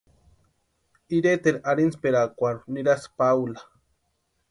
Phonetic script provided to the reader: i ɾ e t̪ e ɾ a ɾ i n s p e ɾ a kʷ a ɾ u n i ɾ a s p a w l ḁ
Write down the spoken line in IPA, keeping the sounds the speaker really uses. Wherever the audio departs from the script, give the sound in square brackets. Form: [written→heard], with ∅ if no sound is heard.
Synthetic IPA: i ɾ e t̪ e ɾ a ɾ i n s p e ɾ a kʷ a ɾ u n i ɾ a s p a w l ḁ